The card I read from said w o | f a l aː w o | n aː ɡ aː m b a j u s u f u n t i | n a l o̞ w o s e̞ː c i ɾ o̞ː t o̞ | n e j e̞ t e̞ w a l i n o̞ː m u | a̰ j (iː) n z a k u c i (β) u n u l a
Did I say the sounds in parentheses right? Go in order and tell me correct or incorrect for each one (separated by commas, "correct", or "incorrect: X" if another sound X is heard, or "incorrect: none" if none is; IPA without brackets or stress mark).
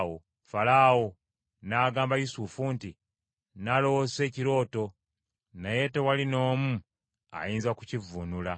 correct, incorrect: v